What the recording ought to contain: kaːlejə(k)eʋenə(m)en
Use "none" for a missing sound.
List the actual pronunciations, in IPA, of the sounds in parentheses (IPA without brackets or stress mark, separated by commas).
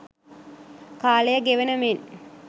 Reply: ɡ, m